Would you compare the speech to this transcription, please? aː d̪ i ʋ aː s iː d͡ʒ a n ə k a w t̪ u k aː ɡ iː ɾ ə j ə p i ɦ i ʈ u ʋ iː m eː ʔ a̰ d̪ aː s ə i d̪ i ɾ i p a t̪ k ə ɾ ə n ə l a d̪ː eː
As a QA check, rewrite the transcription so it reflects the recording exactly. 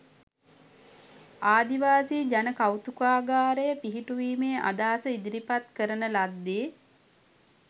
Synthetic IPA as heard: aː d̪ i ʋ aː s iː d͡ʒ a n ə k a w t̪ u k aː ɡ aː ɾ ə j ə p i ɦ i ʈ u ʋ iː m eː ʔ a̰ d̪ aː s ə i d̪ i ɾ i p a t̪ k ə ɾ ə n ə l a d̪ː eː